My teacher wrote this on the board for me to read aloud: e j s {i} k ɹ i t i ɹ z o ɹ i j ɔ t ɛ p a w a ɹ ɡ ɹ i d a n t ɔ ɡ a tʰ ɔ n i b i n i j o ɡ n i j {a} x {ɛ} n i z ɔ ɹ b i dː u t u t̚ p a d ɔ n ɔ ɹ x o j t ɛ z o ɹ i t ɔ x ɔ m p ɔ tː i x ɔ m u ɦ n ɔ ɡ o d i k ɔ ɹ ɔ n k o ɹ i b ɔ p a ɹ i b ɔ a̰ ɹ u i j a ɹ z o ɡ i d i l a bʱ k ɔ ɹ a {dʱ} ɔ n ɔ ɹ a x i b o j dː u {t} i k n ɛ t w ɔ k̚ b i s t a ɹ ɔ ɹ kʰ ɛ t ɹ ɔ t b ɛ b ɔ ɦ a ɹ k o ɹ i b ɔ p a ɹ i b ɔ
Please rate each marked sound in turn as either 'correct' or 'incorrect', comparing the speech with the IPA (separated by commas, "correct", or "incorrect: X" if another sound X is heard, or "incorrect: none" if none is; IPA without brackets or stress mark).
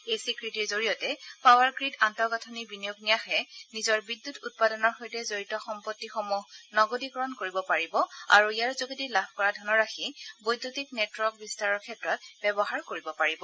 correct, correct, correct, correct, correct